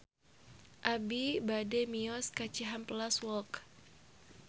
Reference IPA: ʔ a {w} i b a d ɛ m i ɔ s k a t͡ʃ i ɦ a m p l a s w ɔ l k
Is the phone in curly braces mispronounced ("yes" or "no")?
yes